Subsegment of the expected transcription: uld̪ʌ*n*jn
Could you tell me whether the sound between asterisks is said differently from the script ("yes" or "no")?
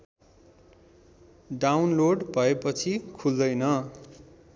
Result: yes